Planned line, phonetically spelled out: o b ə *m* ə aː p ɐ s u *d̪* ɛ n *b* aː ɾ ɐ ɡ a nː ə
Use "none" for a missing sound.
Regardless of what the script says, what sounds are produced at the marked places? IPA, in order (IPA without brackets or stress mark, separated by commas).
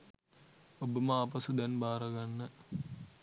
m, d̪, b